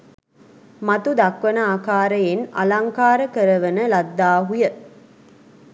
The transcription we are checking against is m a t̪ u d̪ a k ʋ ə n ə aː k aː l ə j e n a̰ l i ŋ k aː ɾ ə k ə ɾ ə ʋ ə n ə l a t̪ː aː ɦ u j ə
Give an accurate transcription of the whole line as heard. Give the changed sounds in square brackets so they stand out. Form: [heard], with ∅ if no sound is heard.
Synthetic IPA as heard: m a t̪ u d̪ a k ʋ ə n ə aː k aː [ɾ] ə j e n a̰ l [a] ŋ k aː ɾ ə k ə ɾ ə ʋ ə n ə l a [d̪ː] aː ɦ u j ə